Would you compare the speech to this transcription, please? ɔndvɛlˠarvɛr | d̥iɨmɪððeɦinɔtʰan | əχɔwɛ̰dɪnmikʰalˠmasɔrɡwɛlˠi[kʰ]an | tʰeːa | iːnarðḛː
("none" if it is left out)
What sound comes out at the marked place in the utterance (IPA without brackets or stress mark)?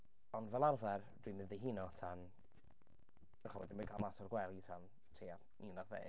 tʰ